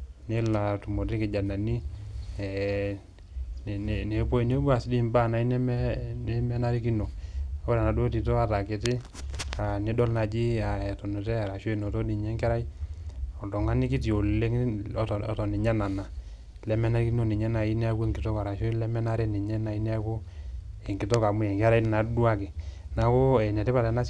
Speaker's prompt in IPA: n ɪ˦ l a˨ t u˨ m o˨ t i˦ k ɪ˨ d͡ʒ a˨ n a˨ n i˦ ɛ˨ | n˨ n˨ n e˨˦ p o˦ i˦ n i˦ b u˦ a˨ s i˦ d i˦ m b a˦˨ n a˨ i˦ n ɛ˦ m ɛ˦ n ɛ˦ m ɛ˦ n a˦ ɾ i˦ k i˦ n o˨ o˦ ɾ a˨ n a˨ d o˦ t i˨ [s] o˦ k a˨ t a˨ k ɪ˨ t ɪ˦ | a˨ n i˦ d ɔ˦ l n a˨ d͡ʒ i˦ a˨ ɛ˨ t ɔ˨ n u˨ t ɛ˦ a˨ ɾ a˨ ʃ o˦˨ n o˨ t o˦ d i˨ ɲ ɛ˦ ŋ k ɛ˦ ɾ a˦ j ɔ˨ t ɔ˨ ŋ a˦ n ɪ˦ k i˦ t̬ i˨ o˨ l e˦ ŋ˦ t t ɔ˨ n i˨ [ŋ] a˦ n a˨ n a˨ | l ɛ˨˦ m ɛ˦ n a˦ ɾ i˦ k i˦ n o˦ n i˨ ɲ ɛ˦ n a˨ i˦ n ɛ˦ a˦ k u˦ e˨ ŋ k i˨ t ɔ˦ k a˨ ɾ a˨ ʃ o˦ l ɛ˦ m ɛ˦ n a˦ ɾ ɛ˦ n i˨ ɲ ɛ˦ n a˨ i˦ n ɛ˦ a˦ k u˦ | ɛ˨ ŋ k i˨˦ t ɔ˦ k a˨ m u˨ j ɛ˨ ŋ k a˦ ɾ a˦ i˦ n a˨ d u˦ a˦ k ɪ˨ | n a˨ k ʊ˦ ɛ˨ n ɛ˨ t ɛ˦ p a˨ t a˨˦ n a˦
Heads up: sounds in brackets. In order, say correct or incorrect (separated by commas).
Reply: incorrect, incorrect